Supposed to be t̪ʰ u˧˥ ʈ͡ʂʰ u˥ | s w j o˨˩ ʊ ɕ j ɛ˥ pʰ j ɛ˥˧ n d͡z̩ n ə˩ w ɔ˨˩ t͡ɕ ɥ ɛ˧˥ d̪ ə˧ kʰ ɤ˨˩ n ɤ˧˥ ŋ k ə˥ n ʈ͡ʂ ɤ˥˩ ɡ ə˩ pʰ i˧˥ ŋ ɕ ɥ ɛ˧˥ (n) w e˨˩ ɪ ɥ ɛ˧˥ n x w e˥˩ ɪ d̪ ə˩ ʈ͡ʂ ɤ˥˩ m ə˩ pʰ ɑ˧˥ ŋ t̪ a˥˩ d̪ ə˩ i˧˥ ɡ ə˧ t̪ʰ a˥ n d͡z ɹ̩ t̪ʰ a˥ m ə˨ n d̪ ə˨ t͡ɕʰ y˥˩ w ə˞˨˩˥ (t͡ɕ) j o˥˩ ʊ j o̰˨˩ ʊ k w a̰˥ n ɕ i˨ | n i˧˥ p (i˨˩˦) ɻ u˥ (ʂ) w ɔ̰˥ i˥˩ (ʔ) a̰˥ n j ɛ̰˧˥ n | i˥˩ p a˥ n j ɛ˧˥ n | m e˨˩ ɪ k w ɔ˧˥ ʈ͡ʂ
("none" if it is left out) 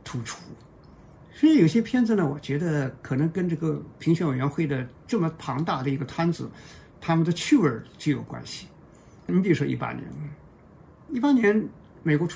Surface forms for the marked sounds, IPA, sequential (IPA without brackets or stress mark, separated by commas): n, t͡ɕ, i˩, ʂ, p